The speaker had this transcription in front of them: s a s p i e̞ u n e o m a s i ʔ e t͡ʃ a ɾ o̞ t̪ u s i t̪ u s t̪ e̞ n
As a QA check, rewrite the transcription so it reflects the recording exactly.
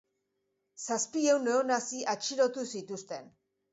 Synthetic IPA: s a s p i e̞ w n e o n a s i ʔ a t͡ʃ i ɾ o̞ t̪ u s i t̪ u s t̪ e̞ n